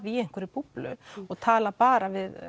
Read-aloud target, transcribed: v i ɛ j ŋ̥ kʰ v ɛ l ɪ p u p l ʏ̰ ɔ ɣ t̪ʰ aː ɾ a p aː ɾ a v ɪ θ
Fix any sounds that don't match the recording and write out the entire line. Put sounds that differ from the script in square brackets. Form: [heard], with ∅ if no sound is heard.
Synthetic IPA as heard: v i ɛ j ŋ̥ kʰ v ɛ [ɾ] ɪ p u p l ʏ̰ ɔ ɣ t̪ʰ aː [l] a p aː ɾ a v ɪ [ð]